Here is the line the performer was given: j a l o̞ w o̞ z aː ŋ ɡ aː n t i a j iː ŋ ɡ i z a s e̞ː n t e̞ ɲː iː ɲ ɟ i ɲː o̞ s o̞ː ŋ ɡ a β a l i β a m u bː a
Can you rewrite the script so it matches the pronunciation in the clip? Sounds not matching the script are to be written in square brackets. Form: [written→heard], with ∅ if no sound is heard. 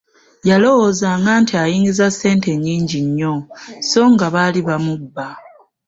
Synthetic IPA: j a l o̞ w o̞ z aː ŋ ɡ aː n t i a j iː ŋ ɡ i z a s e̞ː n t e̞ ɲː iː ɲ ɟ i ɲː o̞ s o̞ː ŋ ɡ a β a l i β a m u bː a